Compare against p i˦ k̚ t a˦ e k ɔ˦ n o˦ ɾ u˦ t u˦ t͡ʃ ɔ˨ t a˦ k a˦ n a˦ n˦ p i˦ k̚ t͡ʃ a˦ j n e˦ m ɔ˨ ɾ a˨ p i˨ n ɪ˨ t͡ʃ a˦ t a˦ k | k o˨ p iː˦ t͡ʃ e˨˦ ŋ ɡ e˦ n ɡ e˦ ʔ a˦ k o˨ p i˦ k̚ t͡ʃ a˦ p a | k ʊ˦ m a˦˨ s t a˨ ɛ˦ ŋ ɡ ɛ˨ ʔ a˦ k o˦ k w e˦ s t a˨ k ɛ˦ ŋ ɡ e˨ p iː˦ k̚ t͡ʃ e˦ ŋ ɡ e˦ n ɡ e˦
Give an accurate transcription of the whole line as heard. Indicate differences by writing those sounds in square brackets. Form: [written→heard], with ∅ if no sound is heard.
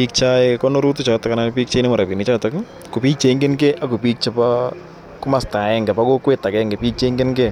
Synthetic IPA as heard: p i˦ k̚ [t→t͡ʃ] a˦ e k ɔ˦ n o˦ ɾ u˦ t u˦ t͡ʃ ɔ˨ t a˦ k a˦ n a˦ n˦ p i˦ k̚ t͡ʃ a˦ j n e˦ m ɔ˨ ɾ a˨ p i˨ n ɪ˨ t͡ʃ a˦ t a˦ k | k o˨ p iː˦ t͡ʃ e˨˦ ŋ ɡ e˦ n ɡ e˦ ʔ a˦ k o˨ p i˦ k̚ t͡ʃ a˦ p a | k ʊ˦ m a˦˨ s t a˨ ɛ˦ ŋ ɡ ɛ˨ [ʔ→p] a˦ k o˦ k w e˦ [s→∅] t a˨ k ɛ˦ ŋ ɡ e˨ p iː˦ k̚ t͡ʃ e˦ ŋ ɡ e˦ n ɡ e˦